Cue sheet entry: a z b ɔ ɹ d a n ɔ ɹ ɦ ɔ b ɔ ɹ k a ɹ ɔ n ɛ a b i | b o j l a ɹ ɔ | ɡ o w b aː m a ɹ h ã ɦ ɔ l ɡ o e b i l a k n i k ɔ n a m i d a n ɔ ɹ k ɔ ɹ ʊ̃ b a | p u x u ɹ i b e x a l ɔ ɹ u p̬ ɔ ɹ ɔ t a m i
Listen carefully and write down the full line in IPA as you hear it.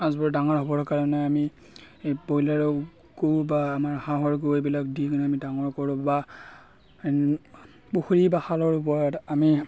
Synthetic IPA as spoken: a z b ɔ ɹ d a ŋ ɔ ɹ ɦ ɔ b ɔ ɹ k a ɹ ɔ n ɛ a m i | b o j l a ɹ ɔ | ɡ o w b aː m a ɹ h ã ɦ ɔ ɹ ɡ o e b i l a k d i k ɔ n a m i d a ŋ ɔ ɹ k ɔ ɹ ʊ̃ b a | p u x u ɹ i b a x a l ɔ ɹ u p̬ ɔ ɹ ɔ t a m i